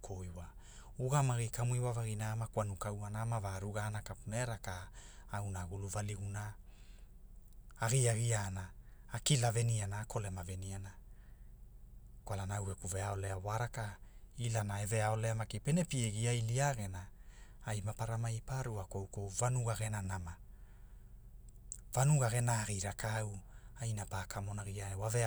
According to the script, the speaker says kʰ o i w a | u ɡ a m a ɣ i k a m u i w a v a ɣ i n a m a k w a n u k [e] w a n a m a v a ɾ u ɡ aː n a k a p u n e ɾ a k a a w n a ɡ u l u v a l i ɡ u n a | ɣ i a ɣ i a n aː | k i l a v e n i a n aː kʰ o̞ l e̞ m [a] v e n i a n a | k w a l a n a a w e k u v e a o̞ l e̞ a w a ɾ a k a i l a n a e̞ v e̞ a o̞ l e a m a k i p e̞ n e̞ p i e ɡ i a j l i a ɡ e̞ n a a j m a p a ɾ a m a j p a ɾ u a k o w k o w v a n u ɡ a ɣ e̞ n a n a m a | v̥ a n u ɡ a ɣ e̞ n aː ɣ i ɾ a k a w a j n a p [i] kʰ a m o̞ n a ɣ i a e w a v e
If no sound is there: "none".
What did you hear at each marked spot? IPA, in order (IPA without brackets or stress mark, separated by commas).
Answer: a, a, a